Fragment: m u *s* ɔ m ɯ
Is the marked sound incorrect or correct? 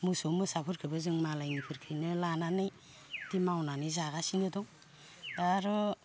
correct